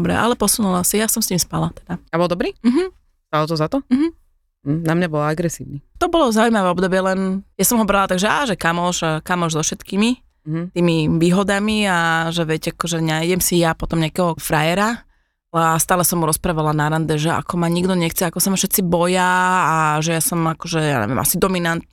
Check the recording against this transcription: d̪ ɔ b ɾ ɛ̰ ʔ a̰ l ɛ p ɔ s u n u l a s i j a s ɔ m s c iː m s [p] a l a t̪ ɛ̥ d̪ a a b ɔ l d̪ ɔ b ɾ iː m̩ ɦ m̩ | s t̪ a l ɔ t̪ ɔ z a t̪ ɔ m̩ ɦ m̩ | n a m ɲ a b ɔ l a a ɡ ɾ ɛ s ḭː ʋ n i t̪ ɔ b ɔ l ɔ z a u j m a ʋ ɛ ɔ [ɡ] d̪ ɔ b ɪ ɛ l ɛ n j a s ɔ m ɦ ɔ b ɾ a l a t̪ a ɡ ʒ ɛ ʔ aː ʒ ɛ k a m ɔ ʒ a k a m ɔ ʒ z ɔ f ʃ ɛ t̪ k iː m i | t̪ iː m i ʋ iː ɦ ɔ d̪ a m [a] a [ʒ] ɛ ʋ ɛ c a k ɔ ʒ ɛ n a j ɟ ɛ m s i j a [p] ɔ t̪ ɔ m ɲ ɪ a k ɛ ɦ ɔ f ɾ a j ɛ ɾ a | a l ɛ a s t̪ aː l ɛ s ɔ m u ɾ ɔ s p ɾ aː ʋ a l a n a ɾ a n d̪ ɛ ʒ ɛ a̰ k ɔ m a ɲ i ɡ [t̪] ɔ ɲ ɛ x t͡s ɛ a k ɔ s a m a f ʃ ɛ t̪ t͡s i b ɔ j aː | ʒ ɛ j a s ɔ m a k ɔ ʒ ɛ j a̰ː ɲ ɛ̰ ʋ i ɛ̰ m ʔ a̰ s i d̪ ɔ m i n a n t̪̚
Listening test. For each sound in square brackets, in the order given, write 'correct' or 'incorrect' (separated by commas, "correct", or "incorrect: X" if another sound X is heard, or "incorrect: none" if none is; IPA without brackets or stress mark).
correct, incorrect: b, incorrect: i, correct, correct, incorrect: d̪